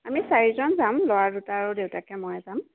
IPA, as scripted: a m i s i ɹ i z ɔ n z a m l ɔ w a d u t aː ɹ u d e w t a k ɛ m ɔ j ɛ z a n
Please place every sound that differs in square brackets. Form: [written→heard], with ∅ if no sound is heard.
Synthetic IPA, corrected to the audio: a m i s [i→a] ɹ i z ɔ n z a m l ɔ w a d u t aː ɹ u d e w t a k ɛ m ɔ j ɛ z a [n→m]